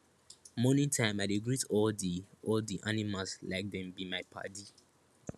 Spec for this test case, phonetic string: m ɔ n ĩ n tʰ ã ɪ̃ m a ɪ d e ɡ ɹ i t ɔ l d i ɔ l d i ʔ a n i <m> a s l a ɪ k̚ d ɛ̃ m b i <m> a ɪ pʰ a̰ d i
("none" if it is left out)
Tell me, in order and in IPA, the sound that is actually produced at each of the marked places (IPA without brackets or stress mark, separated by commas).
m, m